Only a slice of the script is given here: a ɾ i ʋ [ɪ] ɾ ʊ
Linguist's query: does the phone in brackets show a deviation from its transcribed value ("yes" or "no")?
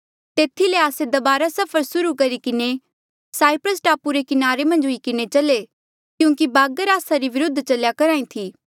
no